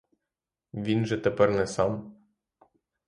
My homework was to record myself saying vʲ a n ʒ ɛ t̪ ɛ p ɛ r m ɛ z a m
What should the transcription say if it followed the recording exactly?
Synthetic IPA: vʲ i n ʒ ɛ t̪ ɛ p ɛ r n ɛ s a m